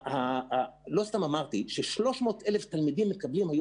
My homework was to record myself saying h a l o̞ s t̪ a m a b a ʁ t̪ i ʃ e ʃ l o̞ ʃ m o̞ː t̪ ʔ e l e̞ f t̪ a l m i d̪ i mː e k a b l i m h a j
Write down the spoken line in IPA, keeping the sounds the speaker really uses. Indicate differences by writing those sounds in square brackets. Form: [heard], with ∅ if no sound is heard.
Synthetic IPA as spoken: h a l o̞ s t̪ a m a [m] a ʁ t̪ i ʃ e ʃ l o̞ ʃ m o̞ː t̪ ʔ e l e̞ f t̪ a l m i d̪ i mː e k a b l i m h a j